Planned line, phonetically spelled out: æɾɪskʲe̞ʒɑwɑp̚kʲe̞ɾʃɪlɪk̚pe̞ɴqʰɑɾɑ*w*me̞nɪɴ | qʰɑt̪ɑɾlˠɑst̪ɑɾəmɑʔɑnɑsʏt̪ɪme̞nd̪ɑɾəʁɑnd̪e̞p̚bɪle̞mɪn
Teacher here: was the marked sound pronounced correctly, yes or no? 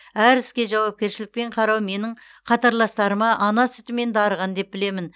yes